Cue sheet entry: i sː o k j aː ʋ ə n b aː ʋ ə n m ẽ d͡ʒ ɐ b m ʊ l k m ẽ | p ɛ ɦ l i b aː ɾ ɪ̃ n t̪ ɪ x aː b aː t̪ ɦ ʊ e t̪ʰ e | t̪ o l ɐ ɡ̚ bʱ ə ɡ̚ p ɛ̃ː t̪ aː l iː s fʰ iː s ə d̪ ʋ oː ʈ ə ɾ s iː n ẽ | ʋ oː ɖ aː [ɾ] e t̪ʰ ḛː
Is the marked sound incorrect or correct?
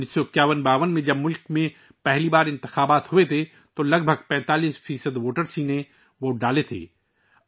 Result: incorrect